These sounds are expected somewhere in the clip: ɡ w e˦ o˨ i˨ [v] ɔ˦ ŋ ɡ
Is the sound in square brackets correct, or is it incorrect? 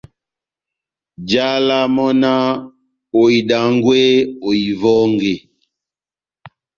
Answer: correct